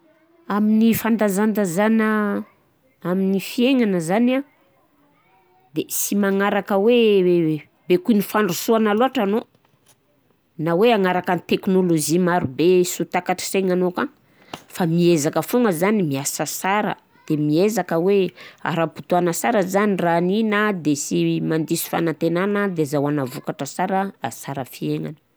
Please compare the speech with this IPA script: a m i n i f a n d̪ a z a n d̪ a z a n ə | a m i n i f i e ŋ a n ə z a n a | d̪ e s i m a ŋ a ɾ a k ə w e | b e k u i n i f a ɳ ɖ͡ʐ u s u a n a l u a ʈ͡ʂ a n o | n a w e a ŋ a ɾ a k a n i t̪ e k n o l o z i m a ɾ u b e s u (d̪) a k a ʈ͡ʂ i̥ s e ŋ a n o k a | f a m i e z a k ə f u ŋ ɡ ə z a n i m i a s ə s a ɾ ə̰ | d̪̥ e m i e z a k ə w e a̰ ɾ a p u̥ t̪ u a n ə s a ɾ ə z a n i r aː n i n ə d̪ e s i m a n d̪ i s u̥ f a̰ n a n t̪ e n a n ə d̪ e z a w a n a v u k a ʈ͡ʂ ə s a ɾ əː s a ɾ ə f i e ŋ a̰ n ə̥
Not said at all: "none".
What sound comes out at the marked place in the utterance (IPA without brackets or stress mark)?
t̪